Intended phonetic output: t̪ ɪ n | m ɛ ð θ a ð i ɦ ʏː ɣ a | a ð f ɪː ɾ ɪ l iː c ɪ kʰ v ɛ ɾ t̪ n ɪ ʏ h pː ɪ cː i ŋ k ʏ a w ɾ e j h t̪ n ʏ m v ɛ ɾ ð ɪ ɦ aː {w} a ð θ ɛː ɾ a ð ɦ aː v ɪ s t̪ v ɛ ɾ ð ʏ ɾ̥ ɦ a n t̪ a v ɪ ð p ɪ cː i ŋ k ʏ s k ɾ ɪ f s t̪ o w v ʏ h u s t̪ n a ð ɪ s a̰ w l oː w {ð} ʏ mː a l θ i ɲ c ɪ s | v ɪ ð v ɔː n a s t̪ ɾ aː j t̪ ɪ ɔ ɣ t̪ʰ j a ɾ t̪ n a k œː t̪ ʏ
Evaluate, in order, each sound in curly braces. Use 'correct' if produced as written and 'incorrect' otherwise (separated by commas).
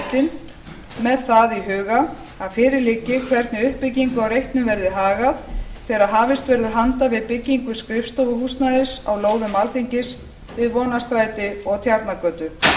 incorrect, correct